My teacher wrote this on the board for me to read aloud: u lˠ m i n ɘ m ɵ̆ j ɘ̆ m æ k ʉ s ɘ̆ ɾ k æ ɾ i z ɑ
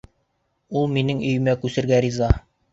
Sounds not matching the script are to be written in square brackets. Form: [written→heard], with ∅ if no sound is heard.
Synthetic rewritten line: u lˠ m i n ɘ [m→ŋ] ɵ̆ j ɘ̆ m æ k ʉ s ɘ̆ ɾ [k→ɡ] æ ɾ i z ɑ